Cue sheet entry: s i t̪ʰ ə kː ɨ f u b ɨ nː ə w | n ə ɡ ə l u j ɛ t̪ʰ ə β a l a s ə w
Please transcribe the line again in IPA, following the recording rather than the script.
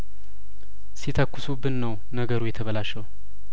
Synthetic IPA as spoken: s i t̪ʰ ə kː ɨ s u b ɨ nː ə w | n ə ɡ ə ɾ u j ɛ t̪ʰ ə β ə l a ʃ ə w

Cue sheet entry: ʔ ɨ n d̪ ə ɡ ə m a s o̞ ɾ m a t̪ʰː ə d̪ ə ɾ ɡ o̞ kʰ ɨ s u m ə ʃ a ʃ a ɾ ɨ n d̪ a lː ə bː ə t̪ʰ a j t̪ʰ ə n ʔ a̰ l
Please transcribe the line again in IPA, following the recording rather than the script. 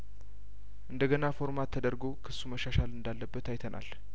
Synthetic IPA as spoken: ʔ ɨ n d̪ ə ɡ ə n a f o̞ ɾ m a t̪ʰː ə d̪ ə ɾ ɡ o̞ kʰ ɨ s u m ə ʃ a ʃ a l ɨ n d̪ a lː ə bː ə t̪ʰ a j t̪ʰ ə n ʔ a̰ l

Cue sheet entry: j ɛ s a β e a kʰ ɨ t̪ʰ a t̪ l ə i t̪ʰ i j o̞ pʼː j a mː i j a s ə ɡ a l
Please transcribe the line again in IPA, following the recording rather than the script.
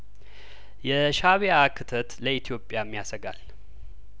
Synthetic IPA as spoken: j ɛ ʃ a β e a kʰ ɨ t̪ʰ ə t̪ l ə i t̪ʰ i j o̞ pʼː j a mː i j a s ə ɡ a l

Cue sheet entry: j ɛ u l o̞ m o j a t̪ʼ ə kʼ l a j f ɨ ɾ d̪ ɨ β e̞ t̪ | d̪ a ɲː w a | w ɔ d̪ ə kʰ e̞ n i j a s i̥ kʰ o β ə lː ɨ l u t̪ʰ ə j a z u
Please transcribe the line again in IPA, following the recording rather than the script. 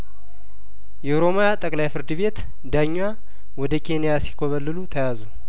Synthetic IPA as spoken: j ɛ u ɾ o̞ m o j a t̪ʼ ə kʼ l a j f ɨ ɾ d̪ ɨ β e̞ t̪ | d̪ a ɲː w a | w ɔ d̪ ə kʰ e̞ n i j a s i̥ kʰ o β ə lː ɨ l u t̪ʰ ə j a z u

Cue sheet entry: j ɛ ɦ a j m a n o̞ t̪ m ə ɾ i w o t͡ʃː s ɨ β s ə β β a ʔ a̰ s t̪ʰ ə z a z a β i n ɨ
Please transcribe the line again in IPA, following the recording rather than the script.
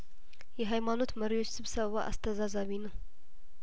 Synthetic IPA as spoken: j ɛ ɦ a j m a n o̞ t̪ m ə ɾ i w o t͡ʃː s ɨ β s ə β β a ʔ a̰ s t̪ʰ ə z a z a β i n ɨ

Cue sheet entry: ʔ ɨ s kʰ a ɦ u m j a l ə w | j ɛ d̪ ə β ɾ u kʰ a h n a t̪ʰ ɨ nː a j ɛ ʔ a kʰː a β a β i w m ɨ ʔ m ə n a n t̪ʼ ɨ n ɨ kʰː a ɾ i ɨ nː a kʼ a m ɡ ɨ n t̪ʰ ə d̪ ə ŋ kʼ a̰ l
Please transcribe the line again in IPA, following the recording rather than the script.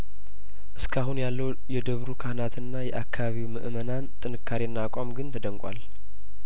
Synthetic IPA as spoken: ʔ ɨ s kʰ a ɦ u n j a lː ə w | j ɛ d̪ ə β ɾ u kʰ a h n a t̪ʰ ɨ nː a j ɛ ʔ a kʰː a β a β i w m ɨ ʔ m ə n a n t̪ʼ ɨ n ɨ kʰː a ɾ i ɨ nː a kʼ a m ɡ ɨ n t̪ʰ ə d̪ ə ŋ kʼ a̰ l

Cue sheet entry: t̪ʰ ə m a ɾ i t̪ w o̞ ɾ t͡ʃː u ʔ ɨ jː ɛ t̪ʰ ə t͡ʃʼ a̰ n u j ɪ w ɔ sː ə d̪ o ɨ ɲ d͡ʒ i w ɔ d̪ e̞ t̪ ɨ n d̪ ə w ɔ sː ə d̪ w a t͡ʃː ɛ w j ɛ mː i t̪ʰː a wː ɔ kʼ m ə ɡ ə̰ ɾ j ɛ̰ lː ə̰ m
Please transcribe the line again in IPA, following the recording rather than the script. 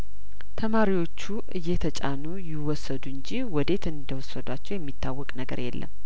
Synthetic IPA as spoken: t̪ʰ ə m a ɾ i w o̞ t͡ʃː u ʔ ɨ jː ɛ t̪ʰ ə t͡ʃʼ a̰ n u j ɪ w ɔ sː ə d̪ u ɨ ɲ d͡ʒ i w ɔ d̪ e̞ t̪ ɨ n d̪ ə w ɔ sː ə d̪ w a t͡ʃː ɛ w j ɛ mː i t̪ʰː a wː ɔ kʼ n ə ɡ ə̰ ɾ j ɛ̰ lː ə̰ m

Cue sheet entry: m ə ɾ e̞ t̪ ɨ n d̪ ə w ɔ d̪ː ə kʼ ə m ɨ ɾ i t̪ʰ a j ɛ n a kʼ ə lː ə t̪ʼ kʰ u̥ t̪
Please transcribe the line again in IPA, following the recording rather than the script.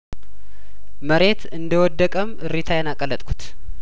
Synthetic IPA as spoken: m ə ɾ e̞ t̪ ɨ n d̪ ə w ɔ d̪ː ə kʼ ə m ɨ ɾ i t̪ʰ a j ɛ n a kʼ ə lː ə t̪ʼ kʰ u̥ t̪

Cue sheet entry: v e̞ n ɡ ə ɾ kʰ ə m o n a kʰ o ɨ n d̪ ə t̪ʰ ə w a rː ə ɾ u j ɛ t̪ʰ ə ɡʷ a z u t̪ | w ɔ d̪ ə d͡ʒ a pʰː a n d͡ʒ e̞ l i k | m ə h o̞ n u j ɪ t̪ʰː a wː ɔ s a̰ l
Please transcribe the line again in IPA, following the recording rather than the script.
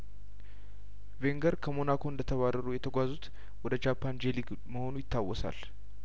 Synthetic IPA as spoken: v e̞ ŋ ɡ ə ɾ kʰ ə m o n a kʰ o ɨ n d̪ ə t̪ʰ ə β a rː ə ɾ u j ɛ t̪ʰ ə ɡʷ a z u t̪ | w ɔ d̪ ə d͡ʒ a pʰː a n d͡ʒ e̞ l i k | m ə h o̞ n u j ɪ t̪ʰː a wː ɔ s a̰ l

